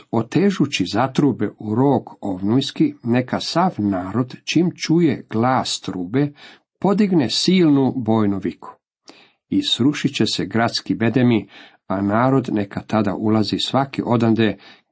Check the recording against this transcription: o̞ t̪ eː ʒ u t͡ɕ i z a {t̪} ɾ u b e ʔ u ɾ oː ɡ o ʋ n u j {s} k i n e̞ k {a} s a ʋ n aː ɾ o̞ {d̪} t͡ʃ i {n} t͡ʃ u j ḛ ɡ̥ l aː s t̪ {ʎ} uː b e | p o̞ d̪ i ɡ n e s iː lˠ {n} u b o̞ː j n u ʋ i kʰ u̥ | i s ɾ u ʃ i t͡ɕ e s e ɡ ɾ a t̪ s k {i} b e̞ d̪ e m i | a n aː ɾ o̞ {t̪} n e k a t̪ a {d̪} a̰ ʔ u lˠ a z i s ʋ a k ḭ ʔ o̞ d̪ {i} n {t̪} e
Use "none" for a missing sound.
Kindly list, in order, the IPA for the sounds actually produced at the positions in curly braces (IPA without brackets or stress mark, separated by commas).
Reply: t̪, s, a, d̪, m, ɾ, n, i, d̪, d̪, a, d̪